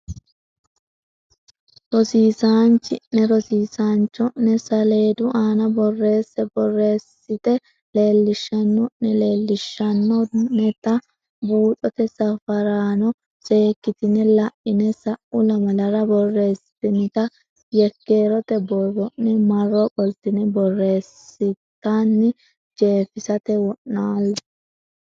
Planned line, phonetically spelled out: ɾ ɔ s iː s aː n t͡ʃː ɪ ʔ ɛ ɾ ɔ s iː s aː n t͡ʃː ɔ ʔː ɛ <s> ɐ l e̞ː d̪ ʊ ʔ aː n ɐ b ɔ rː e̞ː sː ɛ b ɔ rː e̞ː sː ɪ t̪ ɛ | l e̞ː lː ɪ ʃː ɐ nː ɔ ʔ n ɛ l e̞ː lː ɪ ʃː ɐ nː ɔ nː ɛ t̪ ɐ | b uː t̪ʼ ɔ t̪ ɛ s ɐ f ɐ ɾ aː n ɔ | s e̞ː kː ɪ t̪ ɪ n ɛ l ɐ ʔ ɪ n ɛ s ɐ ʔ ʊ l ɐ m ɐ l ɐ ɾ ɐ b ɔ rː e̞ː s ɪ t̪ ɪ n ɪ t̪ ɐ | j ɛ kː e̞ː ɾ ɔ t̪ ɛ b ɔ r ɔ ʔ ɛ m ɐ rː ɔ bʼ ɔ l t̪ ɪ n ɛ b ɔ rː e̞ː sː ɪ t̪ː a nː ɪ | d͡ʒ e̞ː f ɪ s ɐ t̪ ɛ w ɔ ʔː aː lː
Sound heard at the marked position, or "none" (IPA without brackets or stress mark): s